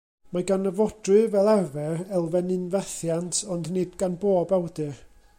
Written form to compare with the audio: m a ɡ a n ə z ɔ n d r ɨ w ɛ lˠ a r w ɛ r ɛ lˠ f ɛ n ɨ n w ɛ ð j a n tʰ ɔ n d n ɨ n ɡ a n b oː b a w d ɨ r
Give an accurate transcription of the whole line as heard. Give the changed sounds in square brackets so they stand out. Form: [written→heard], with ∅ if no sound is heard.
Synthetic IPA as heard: m a ɡ a n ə [z→v] ɔ [n→∅] d r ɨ [w→v] ɛ lˠ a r [w→v] ɛ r ɛ lˠ [f→v] ɛ n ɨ n [w→v] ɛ [ð→θ] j a n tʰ ɔ n d n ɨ [n→d] ɡ a n b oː b a w d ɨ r

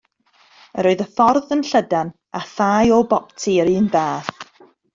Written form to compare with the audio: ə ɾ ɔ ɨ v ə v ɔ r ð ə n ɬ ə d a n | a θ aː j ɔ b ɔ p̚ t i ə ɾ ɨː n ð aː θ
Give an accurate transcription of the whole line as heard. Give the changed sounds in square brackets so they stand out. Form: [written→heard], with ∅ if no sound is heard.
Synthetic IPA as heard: ə ɾ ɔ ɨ [v→ð] ə [v→f] ɔ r ð ə n ɬ ə d a n | a θ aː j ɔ b ɔ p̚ [t→tʰ] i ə ɾ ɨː n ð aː θ

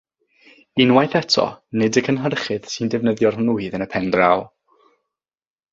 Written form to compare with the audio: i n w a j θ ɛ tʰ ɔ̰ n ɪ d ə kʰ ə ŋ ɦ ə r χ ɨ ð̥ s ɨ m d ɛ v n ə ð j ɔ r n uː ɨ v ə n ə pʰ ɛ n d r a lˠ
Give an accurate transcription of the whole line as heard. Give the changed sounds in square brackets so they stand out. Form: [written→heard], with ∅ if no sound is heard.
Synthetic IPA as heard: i n w a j θ ɛ tʰ ɔ̰ n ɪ d ə kʰ ə [ŋ→n] ɦ ə r χ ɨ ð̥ s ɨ [m→n] d ɛ v n ə ð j ɔ r n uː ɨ [v→ð] ə n ə pʰ ɛ n d r a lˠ

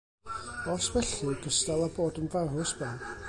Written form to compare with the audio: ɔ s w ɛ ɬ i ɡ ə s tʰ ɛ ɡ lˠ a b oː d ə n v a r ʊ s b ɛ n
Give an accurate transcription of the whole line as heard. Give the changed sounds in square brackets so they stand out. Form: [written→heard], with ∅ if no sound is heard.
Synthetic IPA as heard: ɔ s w ɛ ɬ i ɡ ə s [tʰ→t] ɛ [ɡ→∅] lˠ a b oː d ə n v a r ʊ s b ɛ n

